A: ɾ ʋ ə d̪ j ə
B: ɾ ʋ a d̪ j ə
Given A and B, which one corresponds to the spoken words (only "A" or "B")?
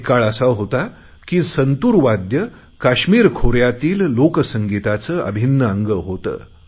B